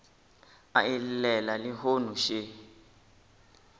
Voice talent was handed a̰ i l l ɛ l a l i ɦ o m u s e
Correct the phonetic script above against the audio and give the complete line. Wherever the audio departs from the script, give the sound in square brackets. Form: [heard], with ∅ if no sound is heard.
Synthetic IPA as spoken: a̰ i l l ɛ l a l i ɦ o [n] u [ʃ] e